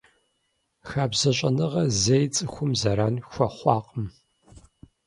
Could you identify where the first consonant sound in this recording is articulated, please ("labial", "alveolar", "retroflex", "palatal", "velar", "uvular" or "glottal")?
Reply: velar